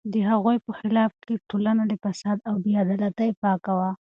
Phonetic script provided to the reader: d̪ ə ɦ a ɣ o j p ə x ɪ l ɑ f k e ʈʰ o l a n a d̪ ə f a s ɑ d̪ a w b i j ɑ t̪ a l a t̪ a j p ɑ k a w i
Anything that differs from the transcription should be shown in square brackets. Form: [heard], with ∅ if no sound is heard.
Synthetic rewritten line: d̪ ə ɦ a ɣ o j p ə x ɪ l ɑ f k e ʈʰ o l a n a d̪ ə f a s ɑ d̪ a w b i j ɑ [d̪] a l a t̪ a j p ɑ k a w [a]